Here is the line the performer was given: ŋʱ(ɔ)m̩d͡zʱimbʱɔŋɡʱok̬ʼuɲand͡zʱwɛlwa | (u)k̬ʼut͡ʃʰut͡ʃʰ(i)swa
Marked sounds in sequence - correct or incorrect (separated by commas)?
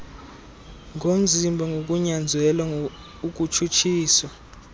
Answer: incorrect, correct, incorrect